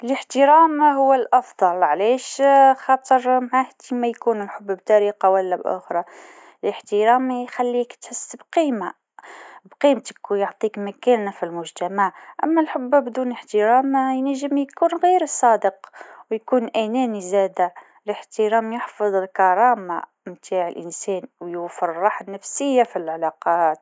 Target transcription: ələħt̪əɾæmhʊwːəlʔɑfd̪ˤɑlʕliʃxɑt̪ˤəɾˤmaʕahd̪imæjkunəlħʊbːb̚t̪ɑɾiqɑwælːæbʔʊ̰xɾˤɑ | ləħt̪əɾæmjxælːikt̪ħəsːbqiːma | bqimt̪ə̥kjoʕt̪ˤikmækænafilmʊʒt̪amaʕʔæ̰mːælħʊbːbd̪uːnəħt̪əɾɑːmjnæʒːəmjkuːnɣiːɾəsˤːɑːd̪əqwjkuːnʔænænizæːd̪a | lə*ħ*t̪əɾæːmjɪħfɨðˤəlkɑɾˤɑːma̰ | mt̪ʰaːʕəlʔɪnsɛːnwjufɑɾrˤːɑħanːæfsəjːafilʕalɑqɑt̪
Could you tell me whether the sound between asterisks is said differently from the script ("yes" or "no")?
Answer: no